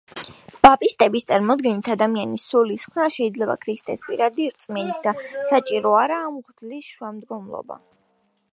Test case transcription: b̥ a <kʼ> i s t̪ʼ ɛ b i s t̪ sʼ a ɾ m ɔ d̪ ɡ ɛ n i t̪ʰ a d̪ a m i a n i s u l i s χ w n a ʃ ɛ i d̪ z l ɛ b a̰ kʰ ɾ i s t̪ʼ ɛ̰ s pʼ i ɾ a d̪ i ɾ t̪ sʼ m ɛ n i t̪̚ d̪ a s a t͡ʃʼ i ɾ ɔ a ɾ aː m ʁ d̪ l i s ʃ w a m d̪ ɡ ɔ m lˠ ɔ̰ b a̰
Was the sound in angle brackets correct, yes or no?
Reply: no